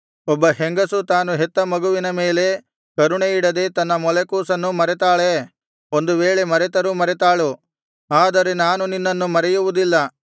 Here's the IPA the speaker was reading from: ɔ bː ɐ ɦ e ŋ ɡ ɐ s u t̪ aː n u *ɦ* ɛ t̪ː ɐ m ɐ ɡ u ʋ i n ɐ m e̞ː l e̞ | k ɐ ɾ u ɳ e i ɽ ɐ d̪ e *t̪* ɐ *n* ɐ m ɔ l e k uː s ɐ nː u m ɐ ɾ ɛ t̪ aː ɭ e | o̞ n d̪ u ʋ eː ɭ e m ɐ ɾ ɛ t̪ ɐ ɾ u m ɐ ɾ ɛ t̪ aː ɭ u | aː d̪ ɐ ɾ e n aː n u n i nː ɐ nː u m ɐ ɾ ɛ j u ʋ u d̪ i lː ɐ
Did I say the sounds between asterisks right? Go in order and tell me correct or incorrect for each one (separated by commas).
correct, correct, incorrect